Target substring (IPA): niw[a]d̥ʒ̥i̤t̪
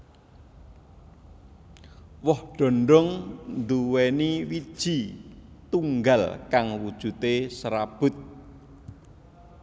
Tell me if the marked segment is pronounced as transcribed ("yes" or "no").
no